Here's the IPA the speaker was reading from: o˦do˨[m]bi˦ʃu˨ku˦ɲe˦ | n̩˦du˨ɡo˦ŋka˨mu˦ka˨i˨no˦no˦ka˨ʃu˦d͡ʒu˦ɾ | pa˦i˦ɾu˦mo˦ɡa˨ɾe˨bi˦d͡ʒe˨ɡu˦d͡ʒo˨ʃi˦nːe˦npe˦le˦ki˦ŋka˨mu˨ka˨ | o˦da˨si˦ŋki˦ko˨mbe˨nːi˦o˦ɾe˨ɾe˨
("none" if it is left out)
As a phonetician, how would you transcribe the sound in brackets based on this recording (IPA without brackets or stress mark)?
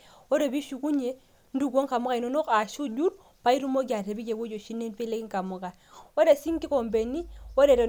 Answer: none